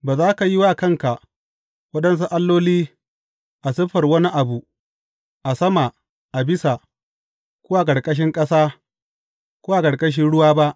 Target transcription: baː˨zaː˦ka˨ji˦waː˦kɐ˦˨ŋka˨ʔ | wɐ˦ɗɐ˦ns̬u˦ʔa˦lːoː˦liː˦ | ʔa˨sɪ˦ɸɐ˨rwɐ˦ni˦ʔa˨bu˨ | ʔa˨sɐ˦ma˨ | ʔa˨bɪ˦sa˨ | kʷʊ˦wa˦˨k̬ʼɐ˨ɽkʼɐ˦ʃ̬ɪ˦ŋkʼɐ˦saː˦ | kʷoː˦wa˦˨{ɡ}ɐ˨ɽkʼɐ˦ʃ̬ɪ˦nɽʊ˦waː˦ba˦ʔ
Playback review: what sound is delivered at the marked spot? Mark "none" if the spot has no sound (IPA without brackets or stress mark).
k